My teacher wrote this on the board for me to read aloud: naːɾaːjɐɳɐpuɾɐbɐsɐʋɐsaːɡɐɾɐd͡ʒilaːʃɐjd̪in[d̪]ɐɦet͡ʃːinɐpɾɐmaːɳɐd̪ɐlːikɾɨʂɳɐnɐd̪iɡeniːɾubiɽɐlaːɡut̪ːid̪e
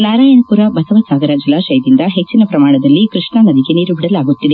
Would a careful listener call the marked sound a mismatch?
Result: no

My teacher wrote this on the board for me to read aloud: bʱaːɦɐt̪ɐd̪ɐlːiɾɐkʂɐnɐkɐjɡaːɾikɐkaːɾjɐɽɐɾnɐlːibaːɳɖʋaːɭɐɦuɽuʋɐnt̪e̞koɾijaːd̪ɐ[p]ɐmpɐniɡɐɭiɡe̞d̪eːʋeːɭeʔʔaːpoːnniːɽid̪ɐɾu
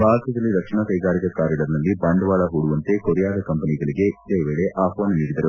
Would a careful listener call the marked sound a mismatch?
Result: yes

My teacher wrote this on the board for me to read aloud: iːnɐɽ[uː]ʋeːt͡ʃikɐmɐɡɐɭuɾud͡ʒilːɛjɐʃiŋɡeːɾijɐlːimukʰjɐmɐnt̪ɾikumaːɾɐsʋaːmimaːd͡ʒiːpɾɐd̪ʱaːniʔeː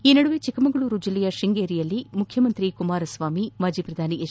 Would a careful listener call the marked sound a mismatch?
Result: yes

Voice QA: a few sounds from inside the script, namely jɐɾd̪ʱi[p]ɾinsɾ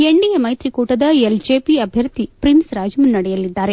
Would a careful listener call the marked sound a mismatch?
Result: no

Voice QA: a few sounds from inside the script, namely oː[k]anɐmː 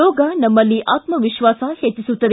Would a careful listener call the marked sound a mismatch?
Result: yes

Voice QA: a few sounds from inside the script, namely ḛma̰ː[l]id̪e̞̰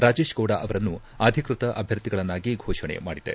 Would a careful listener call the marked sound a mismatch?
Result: yes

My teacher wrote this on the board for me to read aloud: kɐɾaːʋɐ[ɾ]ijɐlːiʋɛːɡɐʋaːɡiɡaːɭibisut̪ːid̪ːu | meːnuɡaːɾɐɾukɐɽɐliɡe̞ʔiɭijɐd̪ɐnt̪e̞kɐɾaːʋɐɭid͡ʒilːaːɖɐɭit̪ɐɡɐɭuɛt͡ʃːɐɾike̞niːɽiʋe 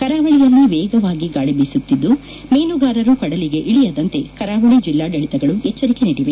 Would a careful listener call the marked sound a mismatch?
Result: yes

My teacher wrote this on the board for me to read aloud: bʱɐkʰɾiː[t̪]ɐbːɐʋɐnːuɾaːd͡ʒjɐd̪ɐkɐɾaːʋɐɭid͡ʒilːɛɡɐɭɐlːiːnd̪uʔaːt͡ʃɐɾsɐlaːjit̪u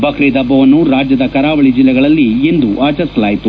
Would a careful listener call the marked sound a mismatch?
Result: yes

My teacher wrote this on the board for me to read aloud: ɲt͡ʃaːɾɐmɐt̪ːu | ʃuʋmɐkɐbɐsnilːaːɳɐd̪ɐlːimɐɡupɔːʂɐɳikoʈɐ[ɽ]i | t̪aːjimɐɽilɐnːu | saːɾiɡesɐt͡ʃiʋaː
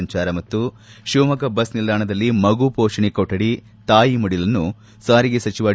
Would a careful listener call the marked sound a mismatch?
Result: no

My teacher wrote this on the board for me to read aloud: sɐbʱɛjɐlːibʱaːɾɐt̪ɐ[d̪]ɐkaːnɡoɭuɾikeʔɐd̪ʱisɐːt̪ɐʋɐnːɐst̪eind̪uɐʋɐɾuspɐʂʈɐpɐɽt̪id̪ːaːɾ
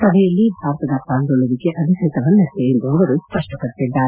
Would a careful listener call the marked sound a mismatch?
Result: no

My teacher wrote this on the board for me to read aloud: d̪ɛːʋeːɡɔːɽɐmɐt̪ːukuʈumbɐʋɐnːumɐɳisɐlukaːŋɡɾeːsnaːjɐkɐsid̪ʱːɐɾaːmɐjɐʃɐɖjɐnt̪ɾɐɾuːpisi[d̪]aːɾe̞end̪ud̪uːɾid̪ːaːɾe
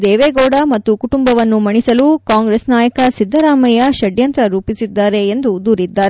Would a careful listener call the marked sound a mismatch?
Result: yes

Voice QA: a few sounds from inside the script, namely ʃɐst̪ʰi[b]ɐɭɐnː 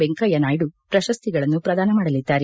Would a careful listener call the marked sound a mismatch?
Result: yes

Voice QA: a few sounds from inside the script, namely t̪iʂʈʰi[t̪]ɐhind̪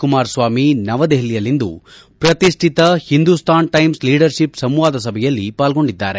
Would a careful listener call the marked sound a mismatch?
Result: no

